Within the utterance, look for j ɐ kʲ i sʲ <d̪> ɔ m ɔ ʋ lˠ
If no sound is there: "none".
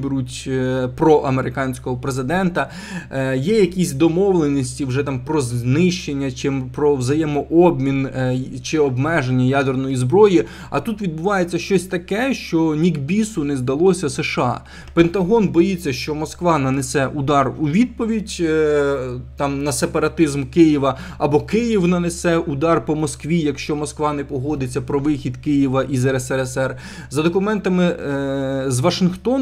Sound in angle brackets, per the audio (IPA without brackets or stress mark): d̪